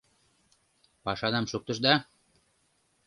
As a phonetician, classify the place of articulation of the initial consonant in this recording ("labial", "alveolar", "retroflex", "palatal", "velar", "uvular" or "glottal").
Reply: labial